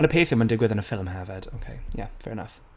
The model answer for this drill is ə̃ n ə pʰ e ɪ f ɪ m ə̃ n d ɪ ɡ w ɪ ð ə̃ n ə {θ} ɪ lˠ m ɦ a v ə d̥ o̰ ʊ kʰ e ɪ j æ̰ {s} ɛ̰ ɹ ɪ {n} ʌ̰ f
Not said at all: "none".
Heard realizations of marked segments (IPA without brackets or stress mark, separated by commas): f, f, n